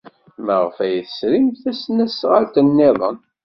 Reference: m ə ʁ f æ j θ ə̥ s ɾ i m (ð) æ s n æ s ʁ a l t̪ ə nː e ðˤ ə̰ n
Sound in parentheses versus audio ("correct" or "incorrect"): incorrect